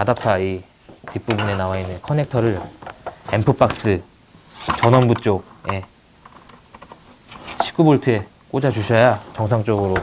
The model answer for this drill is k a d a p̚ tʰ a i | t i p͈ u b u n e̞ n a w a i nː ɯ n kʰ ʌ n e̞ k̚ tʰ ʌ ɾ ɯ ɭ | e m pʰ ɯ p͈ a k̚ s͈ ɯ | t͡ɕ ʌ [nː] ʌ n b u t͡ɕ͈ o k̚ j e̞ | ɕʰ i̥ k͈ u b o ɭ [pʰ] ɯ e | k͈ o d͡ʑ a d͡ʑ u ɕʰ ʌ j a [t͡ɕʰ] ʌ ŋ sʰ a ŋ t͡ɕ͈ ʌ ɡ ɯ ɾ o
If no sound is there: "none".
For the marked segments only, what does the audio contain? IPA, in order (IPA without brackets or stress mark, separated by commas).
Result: n, tʰ, t͡ɕ